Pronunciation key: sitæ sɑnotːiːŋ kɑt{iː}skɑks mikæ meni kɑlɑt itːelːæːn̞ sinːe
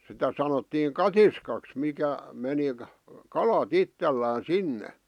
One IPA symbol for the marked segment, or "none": i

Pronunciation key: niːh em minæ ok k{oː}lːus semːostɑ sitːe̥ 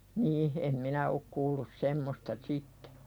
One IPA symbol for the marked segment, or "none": uː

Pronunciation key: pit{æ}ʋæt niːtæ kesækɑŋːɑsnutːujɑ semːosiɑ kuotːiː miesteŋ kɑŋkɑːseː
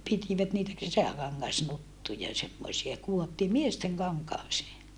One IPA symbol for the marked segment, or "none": i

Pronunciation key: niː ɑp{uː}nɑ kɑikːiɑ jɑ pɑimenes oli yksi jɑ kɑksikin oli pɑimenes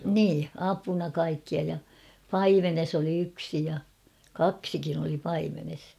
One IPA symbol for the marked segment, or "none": u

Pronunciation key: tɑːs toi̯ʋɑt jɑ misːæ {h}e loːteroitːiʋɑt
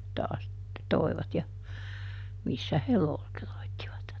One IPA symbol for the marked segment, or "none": h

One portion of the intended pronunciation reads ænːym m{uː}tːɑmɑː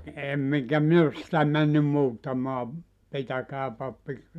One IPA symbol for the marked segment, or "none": uː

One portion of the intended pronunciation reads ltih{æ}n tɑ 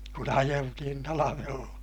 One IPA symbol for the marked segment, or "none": i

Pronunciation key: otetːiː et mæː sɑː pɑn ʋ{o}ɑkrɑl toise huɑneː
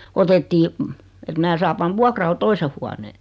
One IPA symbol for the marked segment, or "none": u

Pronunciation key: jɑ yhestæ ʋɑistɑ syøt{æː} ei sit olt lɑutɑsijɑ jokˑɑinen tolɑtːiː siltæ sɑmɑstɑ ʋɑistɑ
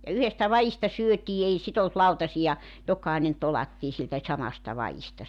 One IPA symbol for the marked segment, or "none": iː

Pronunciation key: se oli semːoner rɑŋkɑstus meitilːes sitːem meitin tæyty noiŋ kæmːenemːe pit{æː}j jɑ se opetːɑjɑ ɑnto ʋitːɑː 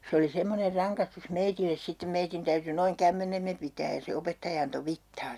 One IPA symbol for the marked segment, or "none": æː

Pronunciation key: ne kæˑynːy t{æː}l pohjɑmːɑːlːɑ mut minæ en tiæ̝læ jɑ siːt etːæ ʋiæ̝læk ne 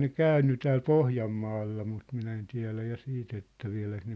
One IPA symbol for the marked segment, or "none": æː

